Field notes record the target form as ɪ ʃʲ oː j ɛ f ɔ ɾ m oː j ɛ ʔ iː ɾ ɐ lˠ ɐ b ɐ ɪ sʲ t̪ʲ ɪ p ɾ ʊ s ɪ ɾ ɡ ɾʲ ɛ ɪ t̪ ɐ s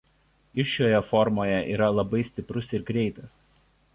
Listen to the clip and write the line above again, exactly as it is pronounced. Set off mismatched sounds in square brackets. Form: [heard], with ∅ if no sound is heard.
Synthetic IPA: ɪ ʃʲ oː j ɛ f ɔ ɾ m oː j ɛ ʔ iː ɾ ɐ lˠ ɐ b ɐ ɪ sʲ t̪ʲ ɪ p ɾ ʊ s ɪ ɾ ɡ ɾʲ ɛ ɪ t̪ ɐ s